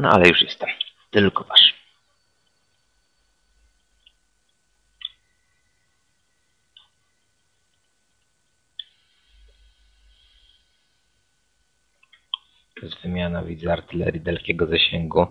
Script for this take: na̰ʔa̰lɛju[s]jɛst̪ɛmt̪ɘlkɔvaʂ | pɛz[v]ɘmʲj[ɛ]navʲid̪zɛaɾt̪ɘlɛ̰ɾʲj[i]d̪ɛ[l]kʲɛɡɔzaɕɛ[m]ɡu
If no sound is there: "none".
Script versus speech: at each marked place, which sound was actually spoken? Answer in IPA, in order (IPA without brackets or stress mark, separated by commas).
ʂ, v, a, i, l, ŋ